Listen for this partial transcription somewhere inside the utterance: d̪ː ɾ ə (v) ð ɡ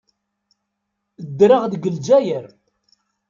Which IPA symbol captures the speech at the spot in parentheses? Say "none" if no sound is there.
ʁ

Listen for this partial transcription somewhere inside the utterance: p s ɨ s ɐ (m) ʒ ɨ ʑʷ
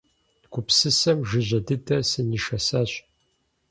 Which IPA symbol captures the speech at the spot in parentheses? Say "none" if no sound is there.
m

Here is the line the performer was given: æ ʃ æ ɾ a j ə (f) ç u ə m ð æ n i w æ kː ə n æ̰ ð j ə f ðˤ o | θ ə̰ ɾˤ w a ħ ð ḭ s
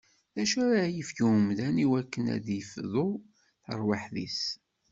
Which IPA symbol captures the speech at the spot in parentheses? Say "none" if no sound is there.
f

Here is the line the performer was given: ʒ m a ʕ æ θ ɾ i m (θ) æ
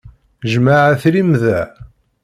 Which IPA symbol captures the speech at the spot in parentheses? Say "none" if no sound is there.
ð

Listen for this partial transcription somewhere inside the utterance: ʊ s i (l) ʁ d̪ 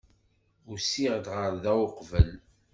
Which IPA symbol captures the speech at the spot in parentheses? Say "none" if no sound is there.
none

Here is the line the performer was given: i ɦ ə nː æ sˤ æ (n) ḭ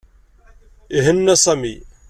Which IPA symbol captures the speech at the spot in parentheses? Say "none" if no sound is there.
m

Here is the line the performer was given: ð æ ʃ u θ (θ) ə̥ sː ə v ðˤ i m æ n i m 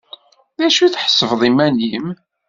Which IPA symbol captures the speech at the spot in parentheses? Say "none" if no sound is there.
ħ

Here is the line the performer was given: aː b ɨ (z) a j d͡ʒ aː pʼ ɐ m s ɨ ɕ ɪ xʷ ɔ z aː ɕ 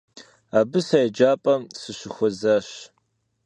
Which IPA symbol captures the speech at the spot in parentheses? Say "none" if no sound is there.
s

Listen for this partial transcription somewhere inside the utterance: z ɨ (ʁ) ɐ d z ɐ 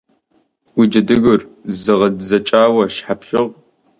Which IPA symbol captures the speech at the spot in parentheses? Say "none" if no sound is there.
ʁ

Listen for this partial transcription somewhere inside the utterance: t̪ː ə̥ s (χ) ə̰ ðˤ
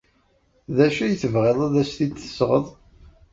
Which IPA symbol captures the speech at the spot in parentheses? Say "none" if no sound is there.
ʁ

